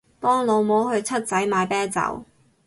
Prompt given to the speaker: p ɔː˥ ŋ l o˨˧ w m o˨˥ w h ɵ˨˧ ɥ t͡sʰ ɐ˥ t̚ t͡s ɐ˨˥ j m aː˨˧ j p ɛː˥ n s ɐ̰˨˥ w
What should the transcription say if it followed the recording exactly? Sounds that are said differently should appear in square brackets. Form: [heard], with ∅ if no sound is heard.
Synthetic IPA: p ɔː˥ ŋ l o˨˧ w m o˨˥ w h ɵ˨˧ ɥ t͡sʰ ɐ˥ t̚ t͡s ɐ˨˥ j m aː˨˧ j p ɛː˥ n [t͡s] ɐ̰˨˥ w